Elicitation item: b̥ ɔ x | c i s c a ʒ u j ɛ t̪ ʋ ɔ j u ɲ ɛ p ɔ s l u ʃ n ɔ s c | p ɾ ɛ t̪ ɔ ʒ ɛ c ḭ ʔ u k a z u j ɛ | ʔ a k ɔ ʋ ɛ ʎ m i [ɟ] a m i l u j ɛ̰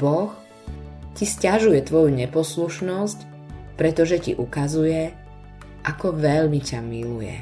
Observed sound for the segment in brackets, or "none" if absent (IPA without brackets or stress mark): c